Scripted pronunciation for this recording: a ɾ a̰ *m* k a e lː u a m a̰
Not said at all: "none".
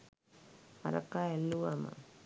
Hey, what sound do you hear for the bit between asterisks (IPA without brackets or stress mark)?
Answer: none